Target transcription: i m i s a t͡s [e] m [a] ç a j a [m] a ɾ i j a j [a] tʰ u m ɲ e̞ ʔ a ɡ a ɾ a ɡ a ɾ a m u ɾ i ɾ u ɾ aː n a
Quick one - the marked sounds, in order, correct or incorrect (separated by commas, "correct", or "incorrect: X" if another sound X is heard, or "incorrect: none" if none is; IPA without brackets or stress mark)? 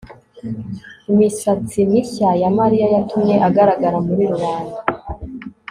incorrect: i, incorrect: i, correct, correct